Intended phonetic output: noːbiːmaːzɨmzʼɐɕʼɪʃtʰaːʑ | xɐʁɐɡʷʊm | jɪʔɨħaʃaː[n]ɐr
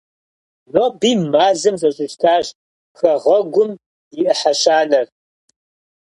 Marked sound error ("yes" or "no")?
no